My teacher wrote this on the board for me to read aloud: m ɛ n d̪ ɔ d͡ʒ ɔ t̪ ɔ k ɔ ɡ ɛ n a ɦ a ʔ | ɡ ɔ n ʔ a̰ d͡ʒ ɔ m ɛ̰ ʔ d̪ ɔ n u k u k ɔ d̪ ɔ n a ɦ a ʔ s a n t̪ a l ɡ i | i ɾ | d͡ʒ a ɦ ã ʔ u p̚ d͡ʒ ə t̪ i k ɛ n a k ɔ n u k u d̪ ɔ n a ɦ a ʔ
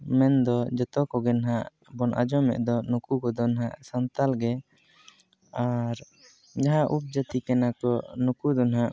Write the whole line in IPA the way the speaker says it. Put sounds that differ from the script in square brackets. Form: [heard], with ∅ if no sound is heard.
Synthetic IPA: m ɛ n d̪ ɔ d͡ʒ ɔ t̪ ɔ k ɔ ɡ ɛ n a ɦ a ʔ | [b] ɔ n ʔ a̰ d͡ʒ ɔ m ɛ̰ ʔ d̪ ɔ n u k u k ɔ d̪ ɔ n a ɦ a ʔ s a n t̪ a l ɡ [ɛ] | [a] ɾ | d͡ʒ a ɦ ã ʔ u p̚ d͡ʒ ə t̪ i k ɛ n a k ɔ n u k u d̪ ɔ n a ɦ a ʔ